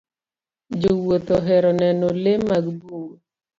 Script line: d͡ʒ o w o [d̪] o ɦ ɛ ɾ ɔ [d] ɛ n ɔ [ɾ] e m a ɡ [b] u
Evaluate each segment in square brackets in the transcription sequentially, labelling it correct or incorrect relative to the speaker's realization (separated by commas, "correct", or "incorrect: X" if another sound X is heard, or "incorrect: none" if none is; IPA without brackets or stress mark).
incorrect: t̪, incorrect: n, incorrect: l, correct